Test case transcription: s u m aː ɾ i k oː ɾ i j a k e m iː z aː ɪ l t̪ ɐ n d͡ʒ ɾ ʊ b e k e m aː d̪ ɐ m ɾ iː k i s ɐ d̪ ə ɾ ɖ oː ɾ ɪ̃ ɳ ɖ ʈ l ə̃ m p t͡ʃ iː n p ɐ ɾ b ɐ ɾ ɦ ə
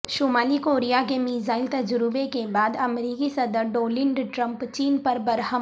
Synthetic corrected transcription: ʃ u m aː l i k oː ɾ i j a k e m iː z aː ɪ l t̪ ɐ d͡ʒ ɾ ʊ b e k e b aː d̪ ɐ m ɾ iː k i s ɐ d̪ ə ɾ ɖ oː l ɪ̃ ɳ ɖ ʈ ɾ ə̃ m p t͡ʃ iː n p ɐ ɾ b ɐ ɾ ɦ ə